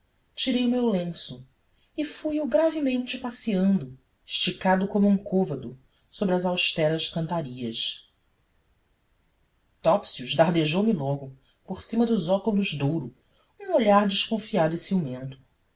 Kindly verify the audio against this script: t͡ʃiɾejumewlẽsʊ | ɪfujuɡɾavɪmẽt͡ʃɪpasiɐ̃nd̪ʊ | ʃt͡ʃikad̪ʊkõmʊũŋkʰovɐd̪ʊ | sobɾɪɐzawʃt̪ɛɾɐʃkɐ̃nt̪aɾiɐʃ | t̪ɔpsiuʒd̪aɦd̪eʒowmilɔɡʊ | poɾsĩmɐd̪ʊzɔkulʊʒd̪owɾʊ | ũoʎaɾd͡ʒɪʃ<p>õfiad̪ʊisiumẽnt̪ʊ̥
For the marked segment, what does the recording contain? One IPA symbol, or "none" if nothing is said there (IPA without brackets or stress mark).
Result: k